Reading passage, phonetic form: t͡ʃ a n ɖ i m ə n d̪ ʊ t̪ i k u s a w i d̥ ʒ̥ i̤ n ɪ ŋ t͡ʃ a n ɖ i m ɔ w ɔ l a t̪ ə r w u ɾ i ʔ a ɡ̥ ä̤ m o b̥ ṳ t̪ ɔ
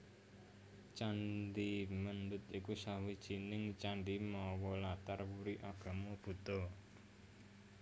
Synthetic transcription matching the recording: t͡ʃ a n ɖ i m ə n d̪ ʊ t̪ i k u s a w i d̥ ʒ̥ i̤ n ɪ ŋ t͡ʃ a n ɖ i m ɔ w ɔ l a t̪ a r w u ɾ i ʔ a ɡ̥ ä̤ m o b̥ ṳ t̪ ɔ

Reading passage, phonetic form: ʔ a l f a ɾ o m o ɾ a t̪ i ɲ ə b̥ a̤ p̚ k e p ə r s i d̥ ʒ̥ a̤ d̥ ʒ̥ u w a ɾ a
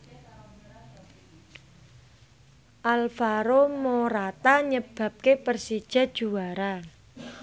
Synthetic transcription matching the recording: ʔ a l f a ɾ o m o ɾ a t̪ a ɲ ə b̥ a̤ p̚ k e p ə r s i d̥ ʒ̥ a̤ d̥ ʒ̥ u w a ɾ a

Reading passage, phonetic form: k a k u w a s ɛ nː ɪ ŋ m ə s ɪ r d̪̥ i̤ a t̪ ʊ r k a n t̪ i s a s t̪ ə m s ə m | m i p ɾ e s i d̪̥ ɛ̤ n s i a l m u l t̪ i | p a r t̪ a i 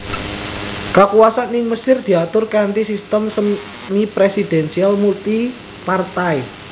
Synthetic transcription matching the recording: k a k u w a s a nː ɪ ŋ m ə s ɪ r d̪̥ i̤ a t̪ ʊ r k a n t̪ i s i s t̪ ə m s ə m | m i p ɾ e s i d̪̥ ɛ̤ n s i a l m u l t̪ i | p a r t̪ a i

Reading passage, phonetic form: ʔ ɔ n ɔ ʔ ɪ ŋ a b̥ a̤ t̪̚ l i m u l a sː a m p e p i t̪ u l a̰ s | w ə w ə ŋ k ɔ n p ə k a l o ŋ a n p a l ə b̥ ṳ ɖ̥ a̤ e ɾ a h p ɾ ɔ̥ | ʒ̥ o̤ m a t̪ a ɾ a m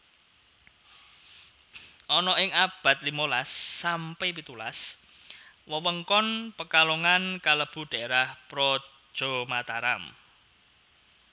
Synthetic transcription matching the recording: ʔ ɔ n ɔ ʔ ɪ ŋ a b̥ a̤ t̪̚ l i m o l a sː a m p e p i t̪ u l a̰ s | w ə w ə ŋ k ɔ n p ə k a l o ŋ a n k a l ə b̥ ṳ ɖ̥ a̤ e ɾ a h p ɾ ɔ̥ | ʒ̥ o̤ m a t̪ a ɾ a m

